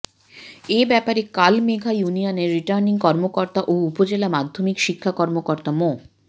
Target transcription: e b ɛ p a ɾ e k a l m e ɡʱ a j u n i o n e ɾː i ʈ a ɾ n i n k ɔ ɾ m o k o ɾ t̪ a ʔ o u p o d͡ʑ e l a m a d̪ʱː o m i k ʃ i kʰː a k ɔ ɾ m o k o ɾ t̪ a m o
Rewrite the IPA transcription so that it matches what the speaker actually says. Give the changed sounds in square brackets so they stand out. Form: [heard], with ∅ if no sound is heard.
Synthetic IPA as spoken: e b ɛ p a ɾ e k a l m e ɡʱ a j u n i o n e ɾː i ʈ a ɾ n i [ŋ] k ɔ ɾ m o k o ɾ t̪ a ʔ o u p o d͡ʑ e l a m a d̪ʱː o m i k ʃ i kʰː a k ɔ ɾ m o k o ɾ t̪ a m o